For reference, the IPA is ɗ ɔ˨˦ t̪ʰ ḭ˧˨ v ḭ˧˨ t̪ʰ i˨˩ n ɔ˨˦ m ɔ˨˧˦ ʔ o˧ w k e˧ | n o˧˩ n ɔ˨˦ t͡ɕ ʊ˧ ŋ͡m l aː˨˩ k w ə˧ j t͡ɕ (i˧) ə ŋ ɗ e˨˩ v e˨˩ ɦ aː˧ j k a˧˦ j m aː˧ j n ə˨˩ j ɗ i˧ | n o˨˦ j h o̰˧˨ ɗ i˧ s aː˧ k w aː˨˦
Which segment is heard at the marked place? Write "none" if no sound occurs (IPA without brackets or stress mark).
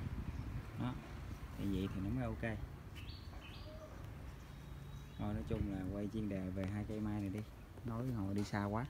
i˧